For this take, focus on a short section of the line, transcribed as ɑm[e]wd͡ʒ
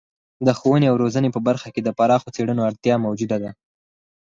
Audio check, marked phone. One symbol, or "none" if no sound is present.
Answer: a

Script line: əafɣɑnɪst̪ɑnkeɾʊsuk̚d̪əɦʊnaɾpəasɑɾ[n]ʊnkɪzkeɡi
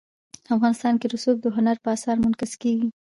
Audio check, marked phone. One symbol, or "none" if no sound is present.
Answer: m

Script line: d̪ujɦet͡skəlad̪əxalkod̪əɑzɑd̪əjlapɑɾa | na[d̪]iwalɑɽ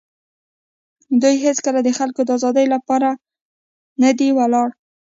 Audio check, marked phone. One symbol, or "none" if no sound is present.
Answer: d̪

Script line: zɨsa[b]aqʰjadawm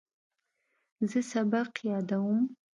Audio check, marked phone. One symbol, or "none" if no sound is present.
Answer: b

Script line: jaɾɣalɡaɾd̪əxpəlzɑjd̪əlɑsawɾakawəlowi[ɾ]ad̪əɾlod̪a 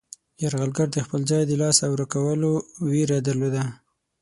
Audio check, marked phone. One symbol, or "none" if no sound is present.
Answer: ɾ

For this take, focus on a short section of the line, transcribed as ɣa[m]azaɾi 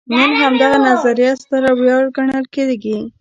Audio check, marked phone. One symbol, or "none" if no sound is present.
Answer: n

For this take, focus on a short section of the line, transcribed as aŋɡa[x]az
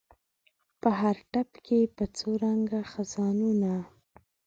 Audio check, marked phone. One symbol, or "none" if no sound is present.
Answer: x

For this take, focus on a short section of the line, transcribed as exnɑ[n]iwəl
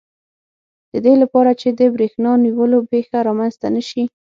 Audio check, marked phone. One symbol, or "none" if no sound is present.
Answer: n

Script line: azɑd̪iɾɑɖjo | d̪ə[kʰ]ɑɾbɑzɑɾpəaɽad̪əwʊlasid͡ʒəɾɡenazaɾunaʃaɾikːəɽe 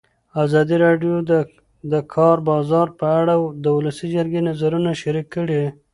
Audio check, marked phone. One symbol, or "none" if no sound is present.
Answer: kʰ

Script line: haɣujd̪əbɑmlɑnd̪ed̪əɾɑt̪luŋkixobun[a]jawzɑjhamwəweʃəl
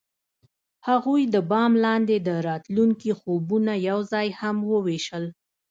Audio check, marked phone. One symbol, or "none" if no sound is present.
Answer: a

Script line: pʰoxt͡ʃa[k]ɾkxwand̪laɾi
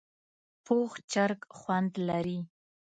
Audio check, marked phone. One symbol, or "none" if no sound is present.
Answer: none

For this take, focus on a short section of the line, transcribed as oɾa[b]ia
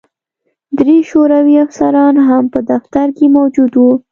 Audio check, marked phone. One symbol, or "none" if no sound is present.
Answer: w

